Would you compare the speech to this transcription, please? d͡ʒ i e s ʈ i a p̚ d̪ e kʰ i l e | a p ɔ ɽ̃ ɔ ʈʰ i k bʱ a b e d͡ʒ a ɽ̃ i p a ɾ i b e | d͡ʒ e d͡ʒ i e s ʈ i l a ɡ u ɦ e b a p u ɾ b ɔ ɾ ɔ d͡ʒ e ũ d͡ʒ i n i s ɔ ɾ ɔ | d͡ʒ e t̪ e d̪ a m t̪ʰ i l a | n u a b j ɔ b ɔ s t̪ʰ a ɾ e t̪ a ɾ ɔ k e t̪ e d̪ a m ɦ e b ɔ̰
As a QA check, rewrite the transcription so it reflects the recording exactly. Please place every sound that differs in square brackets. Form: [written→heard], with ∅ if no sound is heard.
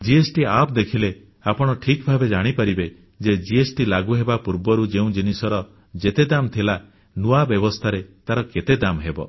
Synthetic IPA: d͡ʒ i e s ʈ i a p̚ d̪ e kʰ i l e | a p ɔ ɽ̃ ɔ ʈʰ i k bʱ a b e d͡ʒ a ɽ̃ i p a ɾ i b e | d͡ʒ e d͡ʒ i e s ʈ i l a ɡ u ɦ e b a p u ɾ b ɔ ɾ [ɔ→u] d͡ʒ e ũ d͡ʒ i n i s ɔ ɾ ɔ | d͡ʒ e t̪ e d̪ a m t̪ʰ i l a | n u a b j ɔ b ɔ s t̪ʰ a ɾ e t̪ a ɾ ɔ k e t̪ e d̪ a m ɦ e b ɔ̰